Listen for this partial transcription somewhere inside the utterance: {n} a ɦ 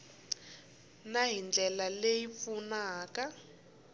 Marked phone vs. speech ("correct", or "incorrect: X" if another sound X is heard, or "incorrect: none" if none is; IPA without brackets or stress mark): correct